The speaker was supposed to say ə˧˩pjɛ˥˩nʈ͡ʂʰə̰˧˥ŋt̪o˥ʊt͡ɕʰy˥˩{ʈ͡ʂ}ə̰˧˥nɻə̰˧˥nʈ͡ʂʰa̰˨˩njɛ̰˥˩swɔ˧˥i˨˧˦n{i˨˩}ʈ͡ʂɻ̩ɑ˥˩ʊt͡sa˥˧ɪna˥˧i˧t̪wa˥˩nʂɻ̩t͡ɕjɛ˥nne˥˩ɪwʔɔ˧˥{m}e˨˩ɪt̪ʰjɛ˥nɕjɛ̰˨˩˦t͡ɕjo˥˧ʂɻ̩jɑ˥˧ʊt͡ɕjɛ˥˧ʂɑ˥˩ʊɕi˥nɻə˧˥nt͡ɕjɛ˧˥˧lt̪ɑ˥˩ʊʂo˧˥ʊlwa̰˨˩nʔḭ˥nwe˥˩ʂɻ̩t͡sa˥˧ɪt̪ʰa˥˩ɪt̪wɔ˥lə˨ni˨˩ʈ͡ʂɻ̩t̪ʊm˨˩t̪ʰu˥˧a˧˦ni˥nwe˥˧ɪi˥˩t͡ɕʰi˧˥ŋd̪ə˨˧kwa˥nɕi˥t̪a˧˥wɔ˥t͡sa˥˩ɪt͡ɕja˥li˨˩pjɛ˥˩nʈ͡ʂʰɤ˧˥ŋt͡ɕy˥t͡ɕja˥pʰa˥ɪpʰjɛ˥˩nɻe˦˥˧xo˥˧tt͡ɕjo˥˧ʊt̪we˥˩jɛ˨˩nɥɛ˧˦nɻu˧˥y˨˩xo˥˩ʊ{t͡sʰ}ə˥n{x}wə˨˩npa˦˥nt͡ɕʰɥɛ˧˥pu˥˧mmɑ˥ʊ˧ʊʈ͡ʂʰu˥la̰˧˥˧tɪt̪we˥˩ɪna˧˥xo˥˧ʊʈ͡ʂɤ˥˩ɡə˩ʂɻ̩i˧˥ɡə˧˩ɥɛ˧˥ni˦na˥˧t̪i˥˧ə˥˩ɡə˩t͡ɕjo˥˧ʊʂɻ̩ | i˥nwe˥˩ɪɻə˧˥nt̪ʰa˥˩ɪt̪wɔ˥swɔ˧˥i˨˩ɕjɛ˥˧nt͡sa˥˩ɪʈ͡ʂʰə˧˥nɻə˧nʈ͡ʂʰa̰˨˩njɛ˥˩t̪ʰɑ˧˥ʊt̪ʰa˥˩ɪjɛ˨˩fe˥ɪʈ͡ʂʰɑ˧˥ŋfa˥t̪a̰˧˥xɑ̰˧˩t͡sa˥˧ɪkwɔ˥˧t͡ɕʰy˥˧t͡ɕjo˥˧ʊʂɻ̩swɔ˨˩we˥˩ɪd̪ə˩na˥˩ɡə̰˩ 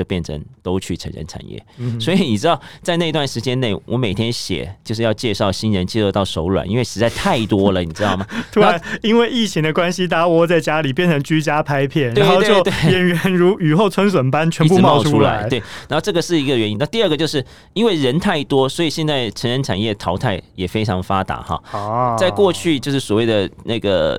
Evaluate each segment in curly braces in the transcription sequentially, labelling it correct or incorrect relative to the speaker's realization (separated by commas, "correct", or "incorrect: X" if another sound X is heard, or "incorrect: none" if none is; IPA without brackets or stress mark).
incorrect: ʈ͡ʂʰ, correct, correct, correct, incorrect: s